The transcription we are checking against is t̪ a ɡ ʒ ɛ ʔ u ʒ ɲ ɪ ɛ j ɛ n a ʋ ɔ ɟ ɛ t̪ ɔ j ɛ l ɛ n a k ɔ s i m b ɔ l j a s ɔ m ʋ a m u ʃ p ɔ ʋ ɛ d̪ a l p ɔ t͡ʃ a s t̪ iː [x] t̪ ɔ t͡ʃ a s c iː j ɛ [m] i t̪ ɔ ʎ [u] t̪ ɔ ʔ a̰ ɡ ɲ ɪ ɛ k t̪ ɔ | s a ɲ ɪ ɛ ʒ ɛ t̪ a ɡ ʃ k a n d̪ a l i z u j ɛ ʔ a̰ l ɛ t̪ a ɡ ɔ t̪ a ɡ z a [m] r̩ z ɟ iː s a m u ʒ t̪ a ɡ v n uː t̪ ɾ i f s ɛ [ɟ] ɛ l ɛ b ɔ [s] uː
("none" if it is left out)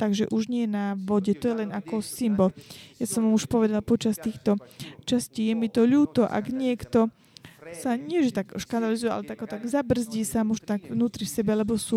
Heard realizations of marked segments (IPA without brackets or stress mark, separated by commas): x, m, uː, b, b, s